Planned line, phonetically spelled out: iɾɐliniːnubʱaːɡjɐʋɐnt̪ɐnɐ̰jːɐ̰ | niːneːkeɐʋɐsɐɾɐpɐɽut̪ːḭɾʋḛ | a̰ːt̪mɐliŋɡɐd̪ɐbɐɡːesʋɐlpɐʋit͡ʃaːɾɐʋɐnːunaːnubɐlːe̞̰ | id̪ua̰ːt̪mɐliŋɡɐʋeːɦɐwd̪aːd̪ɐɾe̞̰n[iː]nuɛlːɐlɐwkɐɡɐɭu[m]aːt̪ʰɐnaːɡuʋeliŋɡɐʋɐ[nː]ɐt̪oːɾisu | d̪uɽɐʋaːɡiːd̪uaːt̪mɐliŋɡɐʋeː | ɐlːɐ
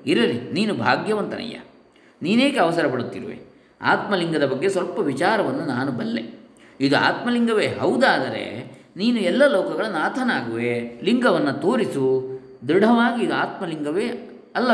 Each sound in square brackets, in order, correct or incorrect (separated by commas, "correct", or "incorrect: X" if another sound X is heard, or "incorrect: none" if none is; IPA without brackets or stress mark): correct, incorrect: n, correct